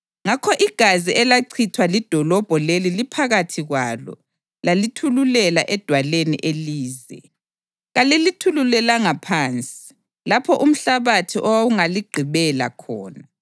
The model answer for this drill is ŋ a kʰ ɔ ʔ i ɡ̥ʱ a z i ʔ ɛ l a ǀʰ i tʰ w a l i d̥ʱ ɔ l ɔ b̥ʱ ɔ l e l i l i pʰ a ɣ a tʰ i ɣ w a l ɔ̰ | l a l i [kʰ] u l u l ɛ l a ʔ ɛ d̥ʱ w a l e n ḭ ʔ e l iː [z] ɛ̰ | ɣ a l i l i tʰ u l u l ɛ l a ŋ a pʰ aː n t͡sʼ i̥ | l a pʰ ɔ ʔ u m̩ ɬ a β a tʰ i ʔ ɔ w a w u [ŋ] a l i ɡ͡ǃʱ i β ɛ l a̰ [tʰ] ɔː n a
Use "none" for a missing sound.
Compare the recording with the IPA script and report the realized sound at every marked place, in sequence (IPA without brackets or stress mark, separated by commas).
tʰ, z, ŋ, kʰ